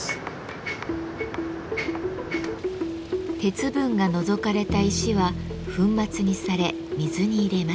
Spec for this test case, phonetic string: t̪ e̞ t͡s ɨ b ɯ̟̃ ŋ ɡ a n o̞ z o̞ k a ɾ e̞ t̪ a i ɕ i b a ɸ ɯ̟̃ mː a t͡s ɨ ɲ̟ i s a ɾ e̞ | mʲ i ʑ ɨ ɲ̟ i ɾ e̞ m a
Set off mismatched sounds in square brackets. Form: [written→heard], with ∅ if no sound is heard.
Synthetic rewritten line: t̪ e̞ t͡s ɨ b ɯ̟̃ ŋ ɡ a n o̞ z o̞ k a ɾ e̞ t̪ a i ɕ i [b→β] a ɸ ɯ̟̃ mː a t͡s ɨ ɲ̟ i s a ɾ e̞ | mʲ i [ʑ→z] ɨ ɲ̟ [i→iː] ɾ e̞ m a